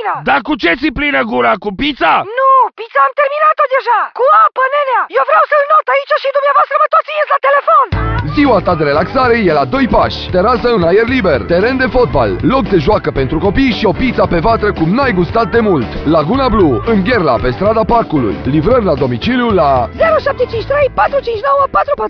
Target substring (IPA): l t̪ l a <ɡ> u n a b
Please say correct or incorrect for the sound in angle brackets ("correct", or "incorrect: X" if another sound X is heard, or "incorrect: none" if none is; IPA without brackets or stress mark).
correct